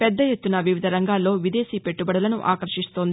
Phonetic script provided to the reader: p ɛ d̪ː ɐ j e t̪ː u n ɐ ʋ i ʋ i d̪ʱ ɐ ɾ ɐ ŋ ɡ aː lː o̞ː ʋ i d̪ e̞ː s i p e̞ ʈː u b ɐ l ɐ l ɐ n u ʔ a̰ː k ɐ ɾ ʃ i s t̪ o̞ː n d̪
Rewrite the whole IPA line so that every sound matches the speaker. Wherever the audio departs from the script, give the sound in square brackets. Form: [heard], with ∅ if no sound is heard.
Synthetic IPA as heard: p ɛ d̪ː ɐ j e t̪ː u n ɐ ʋ i ʋ i d̪ʱ ɐ ɾ ɐ ŋ ɡ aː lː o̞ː ʋ i d̪ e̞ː s i p e̞ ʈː u b ɐ [ɽ] ɐ l ɐ n u ʔ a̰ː k ɐ ɾ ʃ i s t̪ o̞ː n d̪